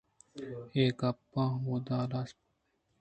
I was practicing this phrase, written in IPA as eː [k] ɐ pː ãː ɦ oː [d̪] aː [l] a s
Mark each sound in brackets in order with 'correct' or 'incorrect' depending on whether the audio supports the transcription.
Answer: correct, correct, correct

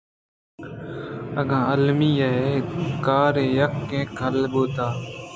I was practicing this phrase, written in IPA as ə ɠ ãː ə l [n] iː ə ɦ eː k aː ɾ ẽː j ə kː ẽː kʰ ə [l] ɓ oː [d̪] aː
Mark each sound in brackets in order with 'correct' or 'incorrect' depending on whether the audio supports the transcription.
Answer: incorrect, correct, incorrect

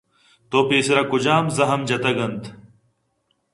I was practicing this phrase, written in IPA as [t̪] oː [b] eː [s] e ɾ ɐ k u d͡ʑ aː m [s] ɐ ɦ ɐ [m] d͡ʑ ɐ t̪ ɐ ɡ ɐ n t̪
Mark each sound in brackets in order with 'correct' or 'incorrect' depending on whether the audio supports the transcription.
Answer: correct, incorrect, correct, incorrect, correct

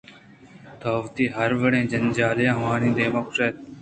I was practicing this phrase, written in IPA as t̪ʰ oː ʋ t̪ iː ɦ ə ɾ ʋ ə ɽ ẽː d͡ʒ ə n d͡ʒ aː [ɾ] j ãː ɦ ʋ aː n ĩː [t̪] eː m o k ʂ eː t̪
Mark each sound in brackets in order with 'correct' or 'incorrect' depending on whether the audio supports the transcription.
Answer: incorrect, incorrect

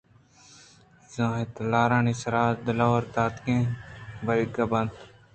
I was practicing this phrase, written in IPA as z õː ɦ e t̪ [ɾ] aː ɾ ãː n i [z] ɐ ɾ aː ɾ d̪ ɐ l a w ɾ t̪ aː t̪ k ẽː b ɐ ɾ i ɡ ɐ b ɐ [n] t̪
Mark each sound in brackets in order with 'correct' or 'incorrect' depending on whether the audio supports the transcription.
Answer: incorrect, incorrect, correct

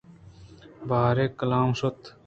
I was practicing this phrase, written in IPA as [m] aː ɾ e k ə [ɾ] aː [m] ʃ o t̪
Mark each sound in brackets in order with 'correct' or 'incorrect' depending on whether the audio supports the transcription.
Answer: incorrect, incorrect, correct

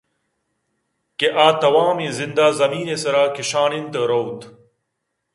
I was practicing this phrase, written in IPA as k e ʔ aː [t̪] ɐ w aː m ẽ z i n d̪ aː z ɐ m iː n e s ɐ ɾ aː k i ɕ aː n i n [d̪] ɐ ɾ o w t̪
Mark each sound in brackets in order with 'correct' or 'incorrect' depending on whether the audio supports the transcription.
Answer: correct, incorrect

